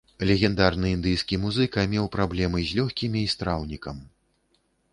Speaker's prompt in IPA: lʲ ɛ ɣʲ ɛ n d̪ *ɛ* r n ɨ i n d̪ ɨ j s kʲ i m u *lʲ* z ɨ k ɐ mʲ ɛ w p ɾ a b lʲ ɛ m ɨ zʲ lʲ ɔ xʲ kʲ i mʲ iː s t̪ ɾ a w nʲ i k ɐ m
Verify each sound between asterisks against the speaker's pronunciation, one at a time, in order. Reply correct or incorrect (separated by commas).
incorrect, incorrect